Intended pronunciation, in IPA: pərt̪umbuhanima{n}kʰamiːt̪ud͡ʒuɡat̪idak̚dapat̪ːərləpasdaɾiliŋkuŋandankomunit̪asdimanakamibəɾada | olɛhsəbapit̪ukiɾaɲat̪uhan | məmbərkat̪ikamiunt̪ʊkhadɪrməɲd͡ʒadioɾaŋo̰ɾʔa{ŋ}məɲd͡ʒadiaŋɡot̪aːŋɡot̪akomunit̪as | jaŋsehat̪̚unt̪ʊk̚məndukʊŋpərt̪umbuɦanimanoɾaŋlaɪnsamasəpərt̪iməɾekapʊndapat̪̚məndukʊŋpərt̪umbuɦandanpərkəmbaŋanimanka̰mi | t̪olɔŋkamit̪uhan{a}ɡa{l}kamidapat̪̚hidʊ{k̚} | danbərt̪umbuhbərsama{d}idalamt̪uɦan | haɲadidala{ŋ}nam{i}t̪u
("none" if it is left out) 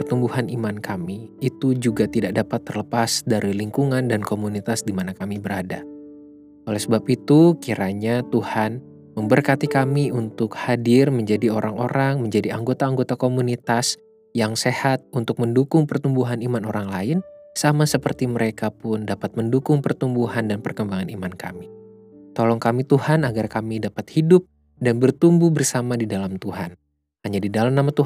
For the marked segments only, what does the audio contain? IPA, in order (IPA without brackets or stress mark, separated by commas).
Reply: n, ŋ, a, r, p̚, d, m, a